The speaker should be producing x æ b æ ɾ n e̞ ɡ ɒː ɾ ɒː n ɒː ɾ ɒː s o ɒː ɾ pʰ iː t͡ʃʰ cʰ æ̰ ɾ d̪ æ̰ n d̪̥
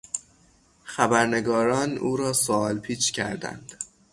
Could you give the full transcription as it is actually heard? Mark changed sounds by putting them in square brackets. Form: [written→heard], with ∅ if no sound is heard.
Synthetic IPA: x æ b æ ɾ n e̞ ɡ ɒː ɾ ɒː n [ɒː→uː] ɾ ɒː s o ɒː [ɾ→l] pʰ iː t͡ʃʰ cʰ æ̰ ɾ d̪ æ̰ n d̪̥

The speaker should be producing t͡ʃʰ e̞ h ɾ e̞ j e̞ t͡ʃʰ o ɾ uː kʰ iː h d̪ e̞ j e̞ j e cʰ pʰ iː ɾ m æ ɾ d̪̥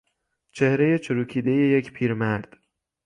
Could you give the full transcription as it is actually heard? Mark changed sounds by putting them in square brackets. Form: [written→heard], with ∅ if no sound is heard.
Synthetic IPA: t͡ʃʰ e̞ h ɾ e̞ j e̞ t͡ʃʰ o ɾ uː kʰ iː [h→∅] d̪ e̞ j e̞ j e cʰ pʰ iː ɾ m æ ɾ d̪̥

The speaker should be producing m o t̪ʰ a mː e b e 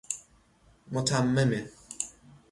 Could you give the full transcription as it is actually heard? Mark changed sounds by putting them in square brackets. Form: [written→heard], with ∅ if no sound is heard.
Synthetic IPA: m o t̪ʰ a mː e [b→m] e

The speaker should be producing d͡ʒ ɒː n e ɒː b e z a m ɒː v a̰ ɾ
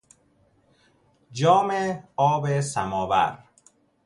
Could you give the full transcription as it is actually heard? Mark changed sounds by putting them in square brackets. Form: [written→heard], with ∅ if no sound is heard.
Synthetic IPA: d͡ʒ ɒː [n→m] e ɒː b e [z→s] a m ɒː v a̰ ɾ

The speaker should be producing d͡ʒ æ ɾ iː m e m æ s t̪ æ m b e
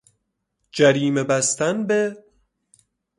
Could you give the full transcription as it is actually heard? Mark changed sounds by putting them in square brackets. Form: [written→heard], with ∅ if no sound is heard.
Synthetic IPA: d͡ʒ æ ɾ iː m e [m→b] æ s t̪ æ [m→n] b e

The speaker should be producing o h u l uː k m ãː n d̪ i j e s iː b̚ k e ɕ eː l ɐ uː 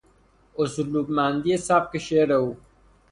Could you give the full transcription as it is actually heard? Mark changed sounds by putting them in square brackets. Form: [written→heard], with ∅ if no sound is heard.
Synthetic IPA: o [h→s] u l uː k m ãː n d̪ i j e s [iː→aː] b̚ k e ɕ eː [l→ɾ] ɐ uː

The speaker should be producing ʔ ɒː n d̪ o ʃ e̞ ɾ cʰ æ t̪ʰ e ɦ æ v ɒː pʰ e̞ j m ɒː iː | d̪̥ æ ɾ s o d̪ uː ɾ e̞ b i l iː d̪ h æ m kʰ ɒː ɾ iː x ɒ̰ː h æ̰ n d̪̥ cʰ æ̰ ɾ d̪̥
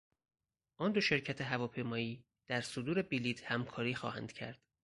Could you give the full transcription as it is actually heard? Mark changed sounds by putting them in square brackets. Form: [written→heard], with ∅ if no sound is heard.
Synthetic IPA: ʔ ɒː n d̪ o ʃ e̞ ɾ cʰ æ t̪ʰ e ɦ æ v ɒː pʰ e̞ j m ɒː iː | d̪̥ æ ɾ s o d̪ uː ɾ e̞ b i l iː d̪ h æ m kʰ ɒː ɾ iː x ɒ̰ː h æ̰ n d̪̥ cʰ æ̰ ɾ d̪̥

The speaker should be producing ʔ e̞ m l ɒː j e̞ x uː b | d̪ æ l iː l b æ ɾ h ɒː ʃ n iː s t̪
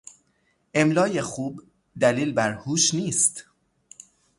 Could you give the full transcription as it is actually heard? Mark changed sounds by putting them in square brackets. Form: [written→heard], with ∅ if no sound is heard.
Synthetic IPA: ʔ e̞ m l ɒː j e̞ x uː b | d̪ æ l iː l b æ ɾ h [ɒː→uː] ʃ n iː s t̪

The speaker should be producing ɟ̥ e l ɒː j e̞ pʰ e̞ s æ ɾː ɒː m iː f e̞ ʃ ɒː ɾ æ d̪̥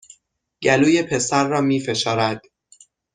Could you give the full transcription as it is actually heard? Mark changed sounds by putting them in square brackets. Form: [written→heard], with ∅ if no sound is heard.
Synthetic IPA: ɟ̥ [e→æ] l [ɒː→uː] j e̞ pʰ e̞ s æ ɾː ɒː m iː f e̞ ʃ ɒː ɾ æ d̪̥

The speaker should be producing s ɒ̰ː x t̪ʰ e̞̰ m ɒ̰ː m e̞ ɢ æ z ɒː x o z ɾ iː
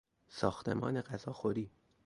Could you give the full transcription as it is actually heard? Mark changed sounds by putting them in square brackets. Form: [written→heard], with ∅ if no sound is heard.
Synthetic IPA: s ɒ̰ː x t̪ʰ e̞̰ m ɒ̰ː [m→n] e̞ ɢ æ z ɒː x o [z→∅] ɾ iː

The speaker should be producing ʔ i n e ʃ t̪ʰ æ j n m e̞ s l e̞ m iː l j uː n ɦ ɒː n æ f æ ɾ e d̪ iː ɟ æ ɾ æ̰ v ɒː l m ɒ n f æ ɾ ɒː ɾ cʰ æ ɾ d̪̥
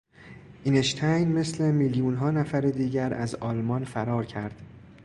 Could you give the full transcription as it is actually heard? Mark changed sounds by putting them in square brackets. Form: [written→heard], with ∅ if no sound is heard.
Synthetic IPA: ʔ i n e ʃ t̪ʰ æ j n m e̞ s l e̞ m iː l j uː n ɦ ɒː n æ f æ ɾ e d̪ iː ɟ æ ɾ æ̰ [v→z] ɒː l m ɒ n f æ ɾ ɒː ɾ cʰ æ ɾ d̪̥

